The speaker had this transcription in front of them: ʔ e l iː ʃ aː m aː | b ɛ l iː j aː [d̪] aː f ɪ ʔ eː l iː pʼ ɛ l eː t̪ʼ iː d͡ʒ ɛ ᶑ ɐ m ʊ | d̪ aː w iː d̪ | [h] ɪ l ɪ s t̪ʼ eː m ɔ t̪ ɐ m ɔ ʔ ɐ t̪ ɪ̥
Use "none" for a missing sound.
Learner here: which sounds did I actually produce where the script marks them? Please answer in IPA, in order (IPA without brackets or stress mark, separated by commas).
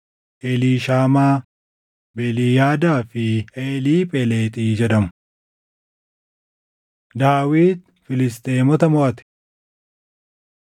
d̪, f